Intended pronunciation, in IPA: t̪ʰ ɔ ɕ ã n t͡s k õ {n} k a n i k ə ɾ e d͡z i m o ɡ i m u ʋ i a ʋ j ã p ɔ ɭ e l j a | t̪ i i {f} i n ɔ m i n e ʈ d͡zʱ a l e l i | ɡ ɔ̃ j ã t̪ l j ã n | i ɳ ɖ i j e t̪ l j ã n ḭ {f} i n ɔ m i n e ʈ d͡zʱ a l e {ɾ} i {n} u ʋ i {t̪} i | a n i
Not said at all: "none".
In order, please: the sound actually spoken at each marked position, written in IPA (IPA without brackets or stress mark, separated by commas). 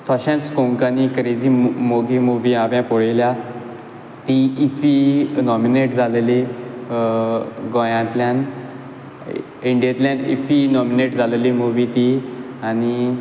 ŋ, f, f, l, m, t̪